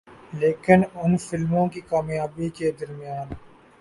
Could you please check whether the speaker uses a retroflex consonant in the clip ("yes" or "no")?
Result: no